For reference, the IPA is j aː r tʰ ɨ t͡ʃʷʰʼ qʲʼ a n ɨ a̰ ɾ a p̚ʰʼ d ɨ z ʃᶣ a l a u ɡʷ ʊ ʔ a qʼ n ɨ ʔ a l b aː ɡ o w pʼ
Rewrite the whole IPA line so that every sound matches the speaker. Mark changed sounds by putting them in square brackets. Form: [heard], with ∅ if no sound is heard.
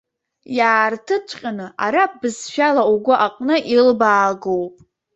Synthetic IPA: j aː r tʰ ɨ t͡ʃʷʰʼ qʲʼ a n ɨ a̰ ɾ a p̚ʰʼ [b] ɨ z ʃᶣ a l a u ɡʷ ʊ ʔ a qʼ n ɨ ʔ [i] l b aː ɡ o w pʼ